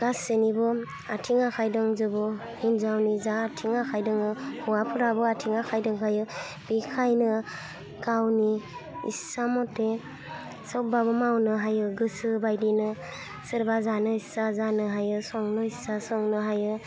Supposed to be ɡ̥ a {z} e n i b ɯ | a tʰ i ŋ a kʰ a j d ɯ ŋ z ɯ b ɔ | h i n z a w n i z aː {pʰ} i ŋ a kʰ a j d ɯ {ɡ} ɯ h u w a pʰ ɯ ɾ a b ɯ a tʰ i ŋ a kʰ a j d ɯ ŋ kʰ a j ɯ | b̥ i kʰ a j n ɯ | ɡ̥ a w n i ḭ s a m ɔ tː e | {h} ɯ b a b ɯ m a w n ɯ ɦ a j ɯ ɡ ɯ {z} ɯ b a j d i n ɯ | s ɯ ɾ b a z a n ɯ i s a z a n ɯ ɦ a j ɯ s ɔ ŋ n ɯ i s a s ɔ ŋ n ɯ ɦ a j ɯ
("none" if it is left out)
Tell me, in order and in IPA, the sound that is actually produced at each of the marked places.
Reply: s, tʰ, ŋ, s, s

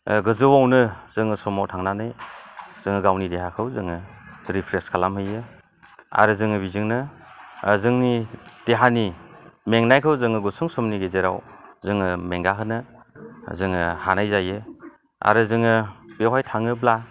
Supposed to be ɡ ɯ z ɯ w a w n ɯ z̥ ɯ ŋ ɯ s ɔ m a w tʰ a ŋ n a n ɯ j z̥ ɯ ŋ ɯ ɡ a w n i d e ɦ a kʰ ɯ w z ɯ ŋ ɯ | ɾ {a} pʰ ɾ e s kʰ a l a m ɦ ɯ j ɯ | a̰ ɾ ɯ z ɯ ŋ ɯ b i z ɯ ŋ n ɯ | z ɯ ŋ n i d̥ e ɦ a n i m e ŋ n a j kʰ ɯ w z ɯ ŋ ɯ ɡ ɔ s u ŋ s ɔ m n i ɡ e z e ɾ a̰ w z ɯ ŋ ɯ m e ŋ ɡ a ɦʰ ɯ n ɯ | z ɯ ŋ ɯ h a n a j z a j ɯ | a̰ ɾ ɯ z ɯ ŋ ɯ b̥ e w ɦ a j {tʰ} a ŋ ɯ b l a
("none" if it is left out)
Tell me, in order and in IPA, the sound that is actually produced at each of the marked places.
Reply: i, tʰ

